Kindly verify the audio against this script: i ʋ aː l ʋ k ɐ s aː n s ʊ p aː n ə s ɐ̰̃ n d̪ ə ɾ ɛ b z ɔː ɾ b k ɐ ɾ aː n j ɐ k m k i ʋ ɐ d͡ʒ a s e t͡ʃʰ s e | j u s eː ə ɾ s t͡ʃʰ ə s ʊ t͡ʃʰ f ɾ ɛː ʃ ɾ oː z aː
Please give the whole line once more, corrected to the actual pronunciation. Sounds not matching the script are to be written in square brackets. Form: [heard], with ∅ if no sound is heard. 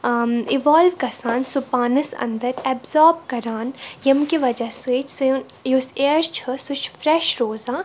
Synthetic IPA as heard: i ʋ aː l ʋ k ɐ s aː n s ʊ p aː n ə s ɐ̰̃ n d̪ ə ɾ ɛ b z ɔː ɾ b k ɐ ɾ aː n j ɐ [∅] m k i ʋ ɐ d͡ʒ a s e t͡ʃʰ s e | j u s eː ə ɾ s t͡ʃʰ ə s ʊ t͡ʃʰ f ɾ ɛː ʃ ɾ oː z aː